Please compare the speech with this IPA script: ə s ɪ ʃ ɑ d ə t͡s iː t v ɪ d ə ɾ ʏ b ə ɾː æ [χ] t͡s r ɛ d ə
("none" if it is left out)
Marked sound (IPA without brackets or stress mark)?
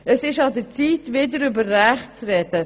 χ